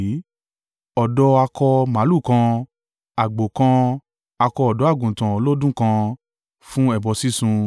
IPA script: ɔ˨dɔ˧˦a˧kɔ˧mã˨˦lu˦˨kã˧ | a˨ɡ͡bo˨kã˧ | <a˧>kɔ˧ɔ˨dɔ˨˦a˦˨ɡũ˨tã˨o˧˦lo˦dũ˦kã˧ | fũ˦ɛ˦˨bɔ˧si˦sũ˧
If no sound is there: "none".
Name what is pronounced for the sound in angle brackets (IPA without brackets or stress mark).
a˧